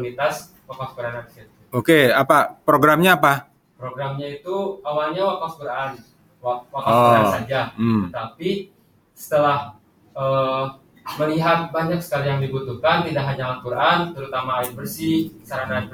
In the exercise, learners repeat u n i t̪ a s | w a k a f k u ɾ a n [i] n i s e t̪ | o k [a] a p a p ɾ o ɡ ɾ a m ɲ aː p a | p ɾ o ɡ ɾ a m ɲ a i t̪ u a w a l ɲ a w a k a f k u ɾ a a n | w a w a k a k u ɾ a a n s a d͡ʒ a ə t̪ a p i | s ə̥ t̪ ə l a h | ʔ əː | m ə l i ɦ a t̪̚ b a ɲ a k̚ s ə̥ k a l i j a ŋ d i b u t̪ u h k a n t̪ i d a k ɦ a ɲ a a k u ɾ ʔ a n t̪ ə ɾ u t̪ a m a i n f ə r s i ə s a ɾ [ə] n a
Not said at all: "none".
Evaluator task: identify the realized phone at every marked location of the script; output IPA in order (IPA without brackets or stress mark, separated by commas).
a, e, a